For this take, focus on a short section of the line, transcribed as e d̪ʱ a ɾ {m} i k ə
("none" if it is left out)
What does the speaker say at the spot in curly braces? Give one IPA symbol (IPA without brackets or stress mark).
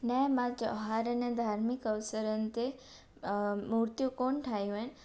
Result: m